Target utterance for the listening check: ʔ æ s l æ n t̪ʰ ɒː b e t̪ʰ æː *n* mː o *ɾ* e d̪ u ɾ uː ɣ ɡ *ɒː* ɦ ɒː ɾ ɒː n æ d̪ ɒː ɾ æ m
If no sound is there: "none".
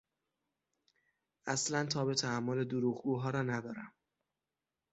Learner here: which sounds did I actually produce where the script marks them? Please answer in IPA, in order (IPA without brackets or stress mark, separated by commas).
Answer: none, l, uː